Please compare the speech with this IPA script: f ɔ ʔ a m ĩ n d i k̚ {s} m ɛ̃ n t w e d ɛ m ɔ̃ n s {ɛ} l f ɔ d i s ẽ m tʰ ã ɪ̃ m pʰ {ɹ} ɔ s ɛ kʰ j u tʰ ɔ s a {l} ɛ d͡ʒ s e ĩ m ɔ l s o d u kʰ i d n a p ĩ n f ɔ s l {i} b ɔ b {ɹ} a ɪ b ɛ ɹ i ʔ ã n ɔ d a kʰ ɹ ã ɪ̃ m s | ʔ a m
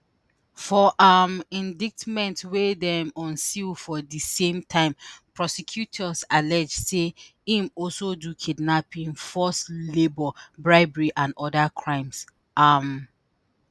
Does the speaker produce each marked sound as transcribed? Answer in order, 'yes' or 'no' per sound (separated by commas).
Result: no, no, yes, yes, no, yes